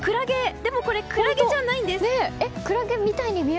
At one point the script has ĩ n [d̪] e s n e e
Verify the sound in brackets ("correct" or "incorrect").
correct